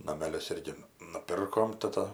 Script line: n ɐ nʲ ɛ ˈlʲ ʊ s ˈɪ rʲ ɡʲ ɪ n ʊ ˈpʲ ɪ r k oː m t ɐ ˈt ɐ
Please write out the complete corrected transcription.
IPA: n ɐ mʲ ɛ ˈlʲ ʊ s ˈɪ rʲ ɡʲ ɪ n ʊ ˈpʲ ɪ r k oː m t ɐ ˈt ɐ